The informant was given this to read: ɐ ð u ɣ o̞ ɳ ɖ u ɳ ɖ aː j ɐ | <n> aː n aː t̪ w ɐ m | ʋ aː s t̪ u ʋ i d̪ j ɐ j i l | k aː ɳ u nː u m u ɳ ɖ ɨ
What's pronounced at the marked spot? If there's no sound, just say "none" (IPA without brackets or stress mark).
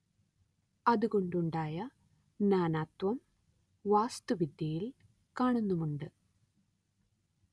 n